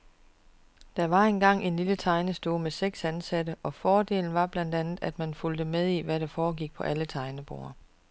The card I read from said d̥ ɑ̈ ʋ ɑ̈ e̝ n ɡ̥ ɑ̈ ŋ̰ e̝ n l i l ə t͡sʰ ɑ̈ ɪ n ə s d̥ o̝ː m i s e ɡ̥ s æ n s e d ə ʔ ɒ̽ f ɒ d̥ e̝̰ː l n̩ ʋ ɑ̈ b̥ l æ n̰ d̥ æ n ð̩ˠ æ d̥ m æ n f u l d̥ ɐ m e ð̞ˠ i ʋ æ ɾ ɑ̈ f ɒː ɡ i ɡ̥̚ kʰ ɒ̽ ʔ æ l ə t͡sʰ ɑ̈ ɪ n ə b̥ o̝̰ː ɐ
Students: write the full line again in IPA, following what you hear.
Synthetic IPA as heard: d̥ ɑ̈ ʋ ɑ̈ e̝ n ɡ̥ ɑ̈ ŋ̰ e̝ n l i l ə t͡sʰ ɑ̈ ɪ n ə s d̥ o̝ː m e s e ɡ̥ s æ n s æ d ə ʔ ɒ̽ f ɒː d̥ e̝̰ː l n̩ ʋ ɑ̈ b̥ l æ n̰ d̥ æ n ð̩ˠ æ d̥ m æ n f u l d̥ ə m e ð̞ˠ i ʋ æ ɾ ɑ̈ f ɒː ɡ i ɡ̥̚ pʰ ɒ̽ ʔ æ l ə t͡sʰ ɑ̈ ɪ n ə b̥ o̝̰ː ɐ